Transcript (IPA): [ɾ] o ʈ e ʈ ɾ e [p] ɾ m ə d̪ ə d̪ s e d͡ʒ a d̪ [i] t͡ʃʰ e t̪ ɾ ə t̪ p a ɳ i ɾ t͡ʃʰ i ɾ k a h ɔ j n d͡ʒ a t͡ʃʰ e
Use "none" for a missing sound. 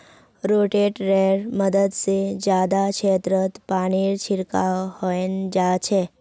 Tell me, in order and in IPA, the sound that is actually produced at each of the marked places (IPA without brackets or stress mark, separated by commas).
ɾ, none, a